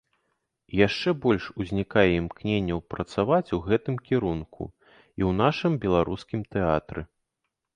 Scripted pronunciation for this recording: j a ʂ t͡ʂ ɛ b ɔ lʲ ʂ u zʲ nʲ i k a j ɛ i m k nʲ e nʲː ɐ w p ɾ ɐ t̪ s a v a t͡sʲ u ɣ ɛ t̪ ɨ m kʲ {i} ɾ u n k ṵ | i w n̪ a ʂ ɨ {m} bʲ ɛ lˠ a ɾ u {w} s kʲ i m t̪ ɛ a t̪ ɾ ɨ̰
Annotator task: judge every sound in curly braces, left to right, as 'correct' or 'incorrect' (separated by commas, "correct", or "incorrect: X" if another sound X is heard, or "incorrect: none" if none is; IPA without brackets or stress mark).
correct, correct, incorrect: none